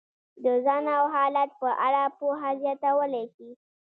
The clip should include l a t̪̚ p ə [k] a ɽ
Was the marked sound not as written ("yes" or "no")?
yes